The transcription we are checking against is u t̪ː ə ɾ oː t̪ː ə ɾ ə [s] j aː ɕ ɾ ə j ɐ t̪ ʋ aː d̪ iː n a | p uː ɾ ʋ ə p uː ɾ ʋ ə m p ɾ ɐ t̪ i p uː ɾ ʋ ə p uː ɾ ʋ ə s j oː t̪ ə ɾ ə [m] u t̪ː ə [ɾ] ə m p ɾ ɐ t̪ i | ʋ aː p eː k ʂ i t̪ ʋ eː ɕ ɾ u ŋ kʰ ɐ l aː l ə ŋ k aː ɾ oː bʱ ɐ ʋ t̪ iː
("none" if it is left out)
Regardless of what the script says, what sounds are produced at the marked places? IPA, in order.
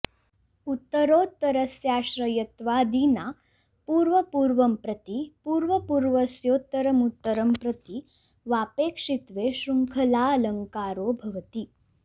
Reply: s, m, ɾ

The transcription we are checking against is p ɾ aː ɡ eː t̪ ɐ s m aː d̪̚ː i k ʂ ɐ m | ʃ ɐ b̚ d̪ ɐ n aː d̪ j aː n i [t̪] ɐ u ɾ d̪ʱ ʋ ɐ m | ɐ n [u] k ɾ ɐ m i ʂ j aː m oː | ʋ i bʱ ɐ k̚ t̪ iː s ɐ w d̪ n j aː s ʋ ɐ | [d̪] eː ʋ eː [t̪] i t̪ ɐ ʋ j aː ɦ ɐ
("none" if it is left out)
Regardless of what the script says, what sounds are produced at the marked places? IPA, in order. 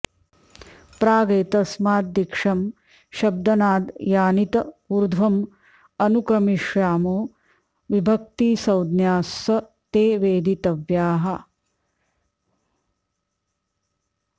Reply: t̪, u, t̪, d̪

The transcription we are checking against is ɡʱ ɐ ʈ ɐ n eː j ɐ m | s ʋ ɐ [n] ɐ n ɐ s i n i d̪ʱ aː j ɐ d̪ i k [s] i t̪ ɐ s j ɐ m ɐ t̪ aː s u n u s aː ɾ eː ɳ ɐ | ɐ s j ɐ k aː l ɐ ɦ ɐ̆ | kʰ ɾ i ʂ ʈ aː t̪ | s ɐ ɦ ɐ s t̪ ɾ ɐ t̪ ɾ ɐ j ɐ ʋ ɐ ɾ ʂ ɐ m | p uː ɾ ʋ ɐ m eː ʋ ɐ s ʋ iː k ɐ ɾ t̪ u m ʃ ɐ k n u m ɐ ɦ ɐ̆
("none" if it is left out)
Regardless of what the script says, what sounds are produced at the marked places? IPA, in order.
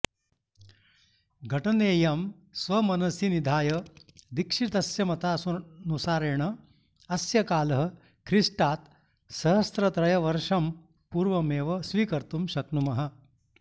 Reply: m, ʂ

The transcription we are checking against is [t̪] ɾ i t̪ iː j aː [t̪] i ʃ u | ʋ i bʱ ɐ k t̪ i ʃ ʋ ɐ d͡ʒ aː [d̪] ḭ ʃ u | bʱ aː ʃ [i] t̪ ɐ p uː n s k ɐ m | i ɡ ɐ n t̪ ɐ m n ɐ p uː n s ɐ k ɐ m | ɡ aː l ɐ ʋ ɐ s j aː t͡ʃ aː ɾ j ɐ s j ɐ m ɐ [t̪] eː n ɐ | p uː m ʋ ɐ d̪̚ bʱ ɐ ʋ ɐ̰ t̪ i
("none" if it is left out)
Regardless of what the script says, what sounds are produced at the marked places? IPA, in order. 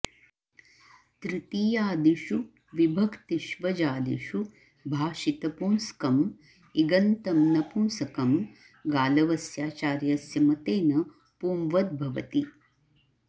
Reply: t̪, d̪, d̪, i, t̪

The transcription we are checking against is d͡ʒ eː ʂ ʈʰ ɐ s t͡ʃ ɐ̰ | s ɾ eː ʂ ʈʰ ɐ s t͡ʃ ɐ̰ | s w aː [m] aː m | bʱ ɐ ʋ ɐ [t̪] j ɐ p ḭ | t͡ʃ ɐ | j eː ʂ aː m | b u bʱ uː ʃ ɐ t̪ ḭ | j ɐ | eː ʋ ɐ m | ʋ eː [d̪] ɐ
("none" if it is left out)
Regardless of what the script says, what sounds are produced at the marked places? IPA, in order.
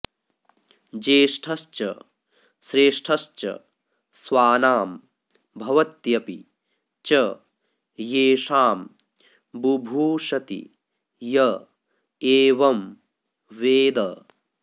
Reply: n, t̪, d̪

